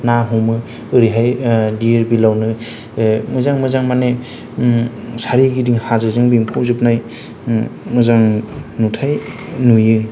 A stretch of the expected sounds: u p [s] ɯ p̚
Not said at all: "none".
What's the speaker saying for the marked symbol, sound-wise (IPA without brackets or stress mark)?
z